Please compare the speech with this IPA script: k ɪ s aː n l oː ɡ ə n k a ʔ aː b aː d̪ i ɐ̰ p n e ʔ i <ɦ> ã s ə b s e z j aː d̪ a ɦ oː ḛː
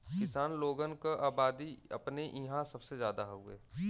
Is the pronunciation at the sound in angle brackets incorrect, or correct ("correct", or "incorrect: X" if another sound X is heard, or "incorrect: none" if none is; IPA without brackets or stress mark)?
correct